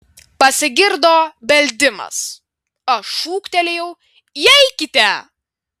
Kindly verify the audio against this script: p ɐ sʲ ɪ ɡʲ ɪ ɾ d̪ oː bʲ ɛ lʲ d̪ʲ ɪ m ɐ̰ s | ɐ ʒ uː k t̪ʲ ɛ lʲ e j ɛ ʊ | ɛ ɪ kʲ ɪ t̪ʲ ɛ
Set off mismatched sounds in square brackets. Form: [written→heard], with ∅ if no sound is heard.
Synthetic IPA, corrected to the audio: p ɐ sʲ ɪ ɡʲ ɪ ɾ d̪ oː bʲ ɛ lʲ d̪ʲ ɪ m ɐ̰ s | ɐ [ʒ→ʃ] uː k t̪ʲ ɛ lʲ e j ɛ ʊ | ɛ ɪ kʲ ɪ t̪ʲ ɛ